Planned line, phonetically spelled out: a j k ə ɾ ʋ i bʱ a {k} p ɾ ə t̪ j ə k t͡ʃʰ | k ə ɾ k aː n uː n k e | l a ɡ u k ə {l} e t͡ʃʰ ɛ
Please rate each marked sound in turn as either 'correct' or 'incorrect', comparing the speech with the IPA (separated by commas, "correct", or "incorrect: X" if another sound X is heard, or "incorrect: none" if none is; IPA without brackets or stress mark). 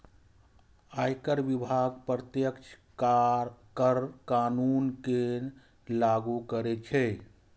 incorrect: ɡ, incorrect: ɾ